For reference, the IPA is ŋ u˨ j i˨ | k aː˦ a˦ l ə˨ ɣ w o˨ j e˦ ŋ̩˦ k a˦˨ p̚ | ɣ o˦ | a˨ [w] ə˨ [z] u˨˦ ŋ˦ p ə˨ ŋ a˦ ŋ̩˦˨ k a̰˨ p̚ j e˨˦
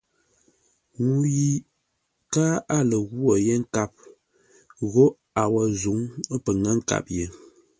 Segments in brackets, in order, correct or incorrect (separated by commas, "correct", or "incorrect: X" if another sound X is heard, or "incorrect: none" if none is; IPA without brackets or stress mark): correct, correct